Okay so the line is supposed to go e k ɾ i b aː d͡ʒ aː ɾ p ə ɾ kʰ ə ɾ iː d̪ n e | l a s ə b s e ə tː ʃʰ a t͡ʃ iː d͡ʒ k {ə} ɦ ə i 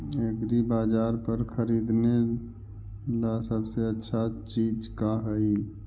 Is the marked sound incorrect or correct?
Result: incorrect